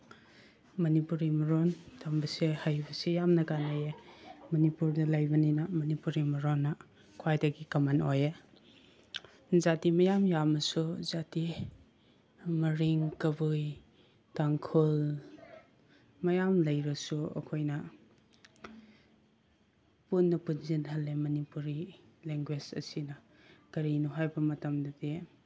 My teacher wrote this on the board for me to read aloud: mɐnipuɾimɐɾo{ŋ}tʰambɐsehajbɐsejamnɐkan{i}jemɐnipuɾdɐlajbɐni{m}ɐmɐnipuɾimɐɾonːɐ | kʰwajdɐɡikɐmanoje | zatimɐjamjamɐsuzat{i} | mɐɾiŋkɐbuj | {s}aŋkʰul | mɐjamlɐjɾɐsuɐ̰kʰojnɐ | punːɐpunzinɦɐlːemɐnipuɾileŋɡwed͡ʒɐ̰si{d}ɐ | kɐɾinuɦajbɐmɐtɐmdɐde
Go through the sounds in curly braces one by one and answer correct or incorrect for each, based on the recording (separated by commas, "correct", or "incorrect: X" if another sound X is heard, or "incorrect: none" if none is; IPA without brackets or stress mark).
incorrect: n, incorrect: a, incorrect: n, correct, incorrect: t, incorrect: n